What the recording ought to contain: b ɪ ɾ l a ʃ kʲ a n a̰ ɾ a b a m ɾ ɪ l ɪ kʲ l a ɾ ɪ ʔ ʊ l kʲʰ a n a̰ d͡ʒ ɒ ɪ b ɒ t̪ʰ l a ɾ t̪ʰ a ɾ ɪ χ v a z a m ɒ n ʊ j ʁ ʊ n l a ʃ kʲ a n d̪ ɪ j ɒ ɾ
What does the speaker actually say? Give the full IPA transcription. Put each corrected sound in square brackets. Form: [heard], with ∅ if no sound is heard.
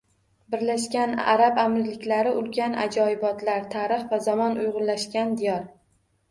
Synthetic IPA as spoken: b ɪ ɾ l a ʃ kʲ a n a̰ ɾ a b a m ɾ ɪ l ɪ kʲ l a ɾ ɪ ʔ ʊ l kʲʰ a n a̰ d͡ʒ ɒ ɪ b ɒ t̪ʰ l a ɾ t̪ʰ a ɾ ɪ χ v a z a m ɒ n ʊ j ʁ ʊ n l a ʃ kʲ a n d̪ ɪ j ɒ ɾ